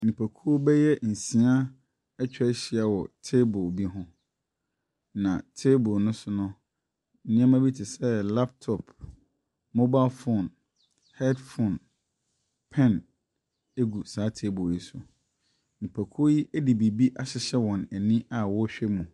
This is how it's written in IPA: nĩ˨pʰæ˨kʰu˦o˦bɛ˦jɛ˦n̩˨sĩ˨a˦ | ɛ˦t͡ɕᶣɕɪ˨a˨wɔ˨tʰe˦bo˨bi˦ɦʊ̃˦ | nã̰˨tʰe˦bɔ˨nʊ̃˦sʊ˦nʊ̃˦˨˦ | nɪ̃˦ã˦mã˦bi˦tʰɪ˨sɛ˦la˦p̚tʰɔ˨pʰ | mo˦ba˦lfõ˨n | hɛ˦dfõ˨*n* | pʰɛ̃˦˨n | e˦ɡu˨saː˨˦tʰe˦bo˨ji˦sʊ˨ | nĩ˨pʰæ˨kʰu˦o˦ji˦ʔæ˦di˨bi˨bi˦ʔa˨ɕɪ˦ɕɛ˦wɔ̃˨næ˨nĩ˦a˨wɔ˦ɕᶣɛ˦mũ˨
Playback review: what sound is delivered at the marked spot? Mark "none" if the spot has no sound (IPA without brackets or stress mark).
n